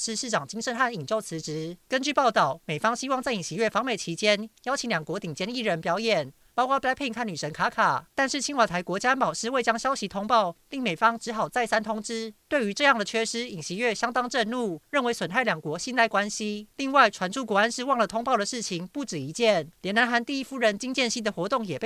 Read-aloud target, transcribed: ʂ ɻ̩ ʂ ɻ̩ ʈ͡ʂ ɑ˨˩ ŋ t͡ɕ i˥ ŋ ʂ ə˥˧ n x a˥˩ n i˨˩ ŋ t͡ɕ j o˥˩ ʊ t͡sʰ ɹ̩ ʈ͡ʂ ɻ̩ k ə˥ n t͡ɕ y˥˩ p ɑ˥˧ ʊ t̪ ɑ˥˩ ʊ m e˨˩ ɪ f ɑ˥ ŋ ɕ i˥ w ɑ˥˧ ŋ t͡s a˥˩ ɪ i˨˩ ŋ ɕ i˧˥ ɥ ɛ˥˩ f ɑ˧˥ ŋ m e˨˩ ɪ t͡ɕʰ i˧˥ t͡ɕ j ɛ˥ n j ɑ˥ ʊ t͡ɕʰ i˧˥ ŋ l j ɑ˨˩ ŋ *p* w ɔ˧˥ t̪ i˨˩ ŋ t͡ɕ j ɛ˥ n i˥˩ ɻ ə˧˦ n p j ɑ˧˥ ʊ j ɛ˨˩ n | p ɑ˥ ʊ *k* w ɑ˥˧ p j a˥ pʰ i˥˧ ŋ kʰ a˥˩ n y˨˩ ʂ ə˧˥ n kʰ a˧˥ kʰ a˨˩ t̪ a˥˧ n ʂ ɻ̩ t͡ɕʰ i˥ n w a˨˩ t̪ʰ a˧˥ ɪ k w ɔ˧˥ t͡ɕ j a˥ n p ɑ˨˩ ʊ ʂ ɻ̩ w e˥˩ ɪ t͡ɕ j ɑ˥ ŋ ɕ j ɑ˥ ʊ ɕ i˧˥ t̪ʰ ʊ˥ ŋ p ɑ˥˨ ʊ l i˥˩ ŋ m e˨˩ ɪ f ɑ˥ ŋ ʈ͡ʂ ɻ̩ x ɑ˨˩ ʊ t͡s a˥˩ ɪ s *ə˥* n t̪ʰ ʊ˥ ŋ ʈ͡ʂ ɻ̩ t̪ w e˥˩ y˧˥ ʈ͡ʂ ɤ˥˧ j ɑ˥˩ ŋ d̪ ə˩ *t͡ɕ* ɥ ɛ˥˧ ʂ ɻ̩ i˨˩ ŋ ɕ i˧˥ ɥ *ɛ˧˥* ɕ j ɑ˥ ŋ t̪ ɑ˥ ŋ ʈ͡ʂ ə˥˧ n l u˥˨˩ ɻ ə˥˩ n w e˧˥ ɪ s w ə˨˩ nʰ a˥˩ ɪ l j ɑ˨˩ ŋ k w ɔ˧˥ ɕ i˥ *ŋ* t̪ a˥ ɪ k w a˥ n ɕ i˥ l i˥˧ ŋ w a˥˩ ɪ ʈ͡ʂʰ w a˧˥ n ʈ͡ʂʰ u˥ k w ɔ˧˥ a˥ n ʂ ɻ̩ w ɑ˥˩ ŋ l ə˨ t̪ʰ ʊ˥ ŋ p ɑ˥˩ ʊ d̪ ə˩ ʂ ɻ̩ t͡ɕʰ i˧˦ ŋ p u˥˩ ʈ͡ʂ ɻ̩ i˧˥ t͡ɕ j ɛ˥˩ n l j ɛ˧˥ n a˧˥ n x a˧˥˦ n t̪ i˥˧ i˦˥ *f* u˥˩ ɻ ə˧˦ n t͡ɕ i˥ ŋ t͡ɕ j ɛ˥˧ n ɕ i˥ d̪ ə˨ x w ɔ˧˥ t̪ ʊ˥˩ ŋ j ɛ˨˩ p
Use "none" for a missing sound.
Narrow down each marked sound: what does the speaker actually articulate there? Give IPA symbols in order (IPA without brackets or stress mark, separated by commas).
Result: k, k, a˥, t͡ɕʰ, ɛ˥˩, n, f